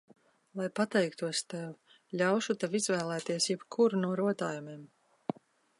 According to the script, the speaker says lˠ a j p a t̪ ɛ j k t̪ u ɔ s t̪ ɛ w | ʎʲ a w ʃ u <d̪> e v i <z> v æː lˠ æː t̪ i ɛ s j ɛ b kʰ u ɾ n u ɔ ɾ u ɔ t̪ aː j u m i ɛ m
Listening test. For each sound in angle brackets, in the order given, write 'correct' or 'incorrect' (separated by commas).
incorrect, correct